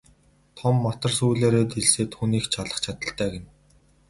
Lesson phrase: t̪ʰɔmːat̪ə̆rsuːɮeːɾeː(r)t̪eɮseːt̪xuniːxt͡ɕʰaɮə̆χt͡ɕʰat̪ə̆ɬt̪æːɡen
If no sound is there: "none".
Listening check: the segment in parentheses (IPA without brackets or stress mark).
none